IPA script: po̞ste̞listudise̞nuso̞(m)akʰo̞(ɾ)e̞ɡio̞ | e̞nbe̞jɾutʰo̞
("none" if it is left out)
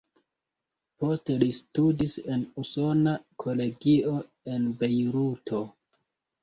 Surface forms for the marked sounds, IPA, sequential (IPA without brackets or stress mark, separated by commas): n, l